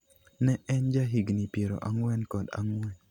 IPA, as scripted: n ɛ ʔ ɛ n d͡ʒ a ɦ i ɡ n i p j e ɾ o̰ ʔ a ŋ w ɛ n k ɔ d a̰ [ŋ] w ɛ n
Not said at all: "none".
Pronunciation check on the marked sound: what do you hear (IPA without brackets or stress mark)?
ŋ